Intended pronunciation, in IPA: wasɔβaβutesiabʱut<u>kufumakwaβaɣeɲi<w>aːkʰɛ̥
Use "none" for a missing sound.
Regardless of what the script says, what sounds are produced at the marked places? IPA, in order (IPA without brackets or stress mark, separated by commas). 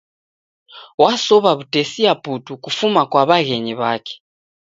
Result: u, β